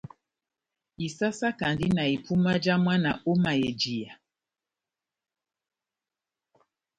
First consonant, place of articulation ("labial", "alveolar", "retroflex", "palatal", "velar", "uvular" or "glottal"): alveolar